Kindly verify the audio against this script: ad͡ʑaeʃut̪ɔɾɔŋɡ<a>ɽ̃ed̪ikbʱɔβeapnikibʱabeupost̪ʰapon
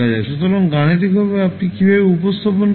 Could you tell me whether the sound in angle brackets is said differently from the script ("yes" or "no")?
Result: no